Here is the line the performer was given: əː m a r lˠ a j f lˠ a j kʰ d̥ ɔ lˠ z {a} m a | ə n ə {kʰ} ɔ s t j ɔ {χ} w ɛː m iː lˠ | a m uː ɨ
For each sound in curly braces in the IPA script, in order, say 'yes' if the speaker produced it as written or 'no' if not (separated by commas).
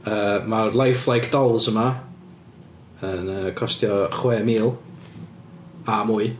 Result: no, yes, yes